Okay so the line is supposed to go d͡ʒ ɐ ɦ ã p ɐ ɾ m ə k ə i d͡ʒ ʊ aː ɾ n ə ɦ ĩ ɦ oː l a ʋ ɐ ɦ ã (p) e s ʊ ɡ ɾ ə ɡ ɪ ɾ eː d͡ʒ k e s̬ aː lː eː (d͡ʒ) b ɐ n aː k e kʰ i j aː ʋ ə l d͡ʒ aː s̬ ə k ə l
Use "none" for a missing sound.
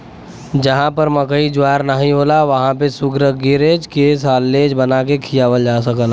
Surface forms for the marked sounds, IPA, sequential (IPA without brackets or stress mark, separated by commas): p, d͡ʒ